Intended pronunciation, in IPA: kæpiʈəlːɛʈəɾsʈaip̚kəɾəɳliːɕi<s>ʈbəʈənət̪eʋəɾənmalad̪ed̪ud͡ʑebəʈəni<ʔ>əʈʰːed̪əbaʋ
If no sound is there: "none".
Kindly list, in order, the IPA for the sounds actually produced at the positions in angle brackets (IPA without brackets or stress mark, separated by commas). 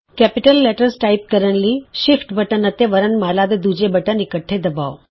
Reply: f, k